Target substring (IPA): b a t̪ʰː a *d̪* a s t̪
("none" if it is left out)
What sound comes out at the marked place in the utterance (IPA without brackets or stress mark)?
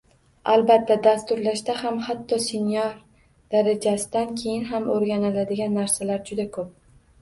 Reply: d̪